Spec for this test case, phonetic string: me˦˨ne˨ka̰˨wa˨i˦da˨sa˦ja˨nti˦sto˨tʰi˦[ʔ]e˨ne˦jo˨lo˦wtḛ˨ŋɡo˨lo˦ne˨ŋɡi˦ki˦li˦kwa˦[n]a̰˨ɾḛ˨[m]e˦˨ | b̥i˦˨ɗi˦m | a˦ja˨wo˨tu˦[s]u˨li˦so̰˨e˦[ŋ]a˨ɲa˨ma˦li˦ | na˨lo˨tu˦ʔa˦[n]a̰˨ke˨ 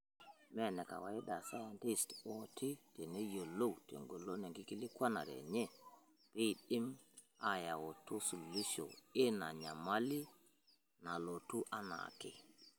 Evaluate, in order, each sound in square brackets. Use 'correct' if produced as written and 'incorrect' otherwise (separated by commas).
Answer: incorrect, correct, incorrect, correct, incorrect, correct